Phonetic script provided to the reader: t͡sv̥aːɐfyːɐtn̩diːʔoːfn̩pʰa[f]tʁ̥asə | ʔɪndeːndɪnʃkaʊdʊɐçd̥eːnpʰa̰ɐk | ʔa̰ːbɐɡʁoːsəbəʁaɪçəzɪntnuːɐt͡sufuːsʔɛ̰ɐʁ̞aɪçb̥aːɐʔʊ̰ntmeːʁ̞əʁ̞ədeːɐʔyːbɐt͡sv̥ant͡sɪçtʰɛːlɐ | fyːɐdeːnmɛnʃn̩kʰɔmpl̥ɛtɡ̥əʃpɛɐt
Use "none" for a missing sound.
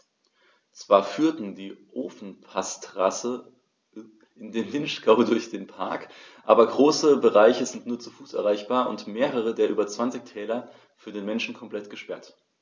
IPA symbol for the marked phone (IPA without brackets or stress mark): s